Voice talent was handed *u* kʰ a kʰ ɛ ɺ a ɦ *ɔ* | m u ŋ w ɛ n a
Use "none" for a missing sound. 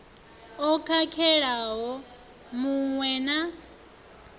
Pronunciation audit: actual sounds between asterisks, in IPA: ɔ, ɔ

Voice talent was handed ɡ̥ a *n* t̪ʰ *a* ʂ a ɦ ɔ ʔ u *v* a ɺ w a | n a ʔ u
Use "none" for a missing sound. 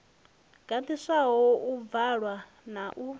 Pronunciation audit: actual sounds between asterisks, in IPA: n, i, v

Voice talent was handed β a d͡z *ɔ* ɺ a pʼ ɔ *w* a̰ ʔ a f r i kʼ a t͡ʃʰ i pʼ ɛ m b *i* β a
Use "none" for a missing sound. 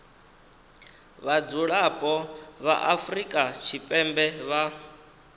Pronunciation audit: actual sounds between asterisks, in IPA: u, β, ɛ

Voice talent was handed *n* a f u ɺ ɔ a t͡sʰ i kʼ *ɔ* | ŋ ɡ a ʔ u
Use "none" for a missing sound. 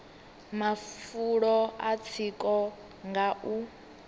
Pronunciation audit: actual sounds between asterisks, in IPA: m, ɔ

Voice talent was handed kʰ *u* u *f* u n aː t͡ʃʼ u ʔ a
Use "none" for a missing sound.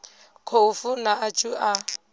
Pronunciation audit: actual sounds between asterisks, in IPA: o, f

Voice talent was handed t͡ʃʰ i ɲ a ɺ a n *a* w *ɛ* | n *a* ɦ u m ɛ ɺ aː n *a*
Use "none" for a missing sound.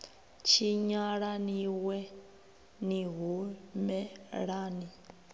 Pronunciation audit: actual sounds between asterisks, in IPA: i, ɛ, i, i

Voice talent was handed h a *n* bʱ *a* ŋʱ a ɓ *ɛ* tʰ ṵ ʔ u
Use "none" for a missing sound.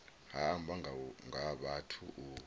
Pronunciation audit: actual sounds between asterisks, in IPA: m, a, a

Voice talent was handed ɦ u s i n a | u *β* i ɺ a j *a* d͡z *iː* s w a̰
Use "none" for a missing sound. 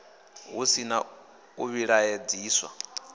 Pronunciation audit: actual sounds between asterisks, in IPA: β, e, iː

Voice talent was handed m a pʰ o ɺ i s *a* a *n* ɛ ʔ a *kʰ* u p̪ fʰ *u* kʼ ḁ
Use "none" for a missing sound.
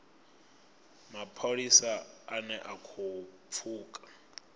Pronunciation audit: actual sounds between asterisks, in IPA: a, n, kʰ, uː

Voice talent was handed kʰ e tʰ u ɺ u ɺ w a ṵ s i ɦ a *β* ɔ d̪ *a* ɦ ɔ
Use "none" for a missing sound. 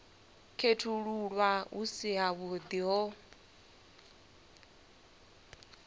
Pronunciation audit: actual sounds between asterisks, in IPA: β, i

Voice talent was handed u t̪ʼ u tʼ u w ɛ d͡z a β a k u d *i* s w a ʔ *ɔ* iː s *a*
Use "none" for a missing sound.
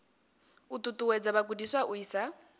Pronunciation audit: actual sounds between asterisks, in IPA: i, u, a

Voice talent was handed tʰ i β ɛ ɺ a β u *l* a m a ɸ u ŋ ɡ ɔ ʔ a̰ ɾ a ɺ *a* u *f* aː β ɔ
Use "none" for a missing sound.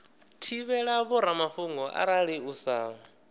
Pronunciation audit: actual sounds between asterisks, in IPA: ɾ, i, s

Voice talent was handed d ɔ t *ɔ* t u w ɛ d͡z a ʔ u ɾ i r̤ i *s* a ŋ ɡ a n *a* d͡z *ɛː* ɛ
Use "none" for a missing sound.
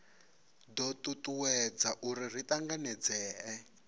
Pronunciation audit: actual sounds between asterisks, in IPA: u, t, ɛ, ɛː

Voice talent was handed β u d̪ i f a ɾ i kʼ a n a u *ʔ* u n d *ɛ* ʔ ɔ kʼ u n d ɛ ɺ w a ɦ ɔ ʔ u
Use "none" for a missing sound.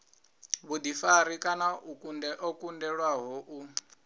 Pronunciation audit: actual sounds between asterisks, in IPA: k, ɛ

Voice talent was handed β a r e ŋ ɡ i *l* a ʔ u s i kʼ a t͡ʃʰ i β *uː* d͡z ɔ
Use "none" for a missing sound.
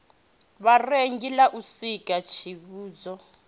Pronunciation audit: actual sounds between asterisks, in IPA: l, uː

